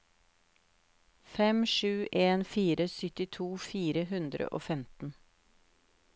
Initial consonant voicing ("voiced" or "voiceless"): voiceless